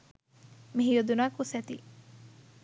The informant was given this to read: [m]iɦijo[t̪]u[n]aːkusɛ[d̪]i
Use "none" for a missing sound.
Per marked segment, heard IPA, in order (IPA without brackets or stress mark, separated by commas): m, d̪, n, t̪